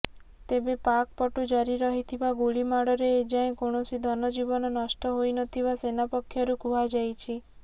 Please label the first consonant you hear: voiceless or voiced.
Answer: voiceless